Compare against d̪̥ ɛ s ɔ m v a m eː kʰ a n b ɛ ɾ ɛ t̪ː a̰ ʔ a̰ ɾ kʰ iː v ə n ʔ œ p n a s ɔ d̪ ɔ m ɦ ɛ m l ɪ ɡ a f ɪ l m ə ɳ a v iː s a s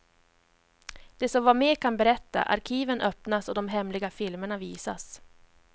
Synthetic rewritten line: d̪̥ ɛ s ɔ m v a m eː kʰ a n b ɛ ɾ ɛ t̪ː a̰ ʔ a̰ ɾ kʰ iː v ə n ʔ œ p n a s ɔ d̪ ɔ m ɦ ɛ m l ɪ ɡ a f ɪ l m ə ɳ a v iː s a s